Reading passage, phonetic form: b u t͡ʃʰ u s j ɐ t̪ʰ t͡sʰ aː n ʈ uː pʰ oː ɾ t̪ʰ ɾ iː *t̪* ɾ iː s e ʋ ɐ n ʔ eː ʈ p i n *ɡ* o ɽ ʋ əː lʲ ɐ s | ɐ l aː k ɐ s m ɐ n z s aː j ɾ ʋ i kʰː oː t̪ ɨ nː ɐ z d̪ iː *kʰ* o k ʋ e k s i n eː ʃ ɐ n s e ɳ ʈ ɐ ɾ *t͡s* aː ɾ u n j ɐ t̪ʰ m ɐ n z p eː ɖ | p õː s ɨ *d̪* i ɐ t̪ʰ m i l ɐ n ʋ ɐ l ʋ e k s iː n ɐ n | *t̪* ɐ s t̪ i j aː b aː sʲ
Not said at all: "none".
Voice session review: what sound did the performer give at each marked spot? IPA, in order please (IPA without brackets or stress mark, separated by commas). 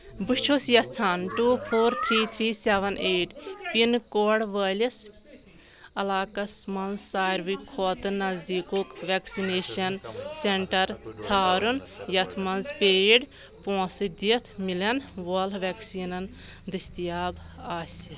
t̪ʰ, k, k, t͡sʰ, d̪, d̪